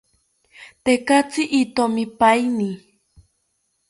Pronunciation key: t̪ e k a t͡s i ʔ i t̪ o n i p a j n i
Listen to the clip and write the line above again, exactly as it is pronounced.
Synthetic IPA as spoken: t̪ e k a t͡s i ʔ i t̪ o m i p a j n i